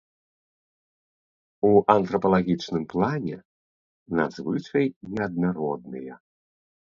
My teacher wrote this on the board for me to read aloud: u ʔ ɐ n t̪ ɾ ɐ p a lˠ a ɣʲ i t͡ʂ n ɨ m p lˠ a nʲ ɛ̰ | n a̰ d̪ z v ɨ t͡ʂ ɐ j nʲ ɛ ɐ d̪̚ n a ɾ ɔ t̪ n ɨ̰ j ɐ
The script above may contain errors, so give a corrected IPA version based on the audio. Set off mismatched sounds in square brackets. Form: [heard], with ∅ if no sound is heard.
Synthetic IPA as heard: u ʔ ɐ n t̪ ɾ ɐ p [ɐ] lˠ a ɣʲ i t͡ʂ n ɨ m p lˠ a nʲ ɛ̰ | n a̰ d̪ z v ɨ t͡ʂ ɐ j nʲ ɛ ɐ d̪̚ n a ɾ ɔ [d̪] n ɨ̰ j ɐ